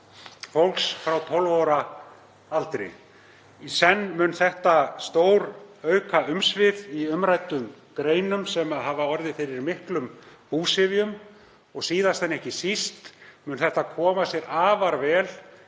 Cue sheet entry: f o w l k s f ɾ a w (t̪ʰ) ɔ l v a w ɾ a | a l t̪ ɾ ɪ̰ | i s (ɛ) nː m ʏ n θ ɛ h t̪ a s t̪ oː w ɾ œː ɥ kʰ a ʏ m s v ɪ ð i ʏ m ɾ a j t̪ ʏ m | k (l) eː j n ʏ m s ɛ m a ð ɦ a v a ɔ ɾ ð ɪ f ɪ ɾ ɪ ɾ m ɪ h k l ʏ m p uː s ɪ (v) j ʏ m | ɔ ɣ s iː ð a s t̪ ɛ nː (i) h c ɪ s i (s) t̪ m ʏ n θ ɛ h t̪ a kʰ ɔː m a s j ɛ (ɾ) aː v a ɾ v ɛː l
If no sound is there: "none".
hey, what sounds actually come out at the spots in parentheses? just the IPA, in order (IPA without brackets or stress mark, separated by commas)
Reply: t̪ʰ, ɛ, ɾ, v, ɛ, s, ɾ